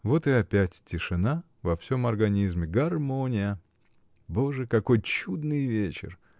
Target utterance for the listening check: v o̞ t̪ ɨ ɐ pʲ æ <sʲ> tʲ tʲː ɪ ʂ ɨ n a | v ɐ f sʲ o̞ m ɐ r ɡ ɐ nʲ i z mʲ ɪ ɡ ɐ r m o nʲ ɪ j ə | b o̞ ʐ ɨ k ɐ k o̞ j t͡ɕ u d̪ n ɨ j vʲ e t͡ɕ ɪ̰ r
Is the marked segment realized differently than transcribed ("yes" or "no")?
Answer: yes